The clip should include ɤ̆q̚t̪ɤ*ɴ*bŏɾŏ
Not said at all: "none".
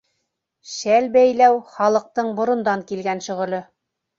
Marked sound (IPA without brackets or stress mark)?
ɴ